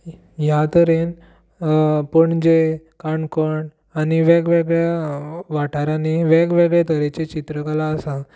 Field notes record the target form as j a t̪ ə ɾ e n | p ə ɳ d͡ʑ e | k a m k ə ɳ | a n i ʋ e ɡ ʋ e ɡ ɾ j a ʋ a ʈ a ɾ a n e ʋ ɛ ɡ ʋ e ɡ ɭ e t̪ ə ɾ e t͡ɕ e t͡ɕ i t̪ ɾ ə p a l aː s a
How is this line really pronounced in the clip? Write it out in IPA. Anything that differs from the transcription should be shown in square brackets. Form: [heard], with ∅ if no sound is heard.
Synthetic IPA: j a t̪ ə ɾ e n | p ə ɳ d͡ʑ e | k a [ɳ] k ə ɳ | a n i ʋ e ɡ ʋ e ɡ [ɭ] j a ʋ a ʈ a ɾ a n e ʋ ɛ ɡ ʋ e ɡ ɭ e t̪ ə ɾ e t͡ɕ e t͡ɕ i t̪ ɾ ə [k] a l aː s a